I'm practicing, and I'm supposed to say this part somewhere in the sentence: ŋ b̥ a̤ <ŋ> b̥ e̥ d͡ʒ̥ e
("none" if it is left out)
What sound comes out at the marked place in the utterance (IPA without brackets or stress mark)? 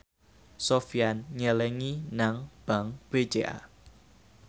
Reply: ŋ